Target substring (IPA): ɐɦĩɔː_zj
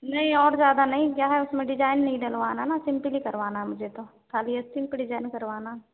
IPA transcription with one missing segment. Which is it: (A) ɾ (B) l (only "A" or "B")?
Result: A